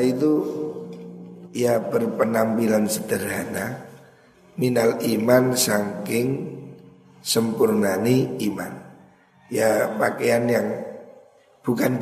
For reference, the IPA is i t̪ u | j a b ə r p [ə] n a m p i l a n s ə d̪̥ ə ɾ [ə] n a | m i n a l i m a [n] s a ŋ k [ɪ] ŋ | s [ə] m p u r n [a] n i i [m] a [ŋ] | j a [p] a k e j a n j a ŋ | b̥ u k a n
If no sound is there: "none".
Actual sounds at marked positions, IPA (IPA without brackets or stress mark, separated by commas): ə, a, n, ɪ, ə, a, m, n, p